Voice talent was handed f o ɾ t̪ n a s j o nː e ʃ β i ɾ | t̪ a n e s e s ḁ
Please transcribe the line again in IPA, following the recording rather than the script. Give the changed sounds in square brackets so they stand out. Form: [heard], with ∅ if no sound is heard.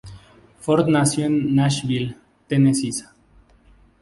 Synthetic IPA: f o ɾ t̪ n a s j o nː [a] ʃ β i [l] | t̪ [e] n e s [i] s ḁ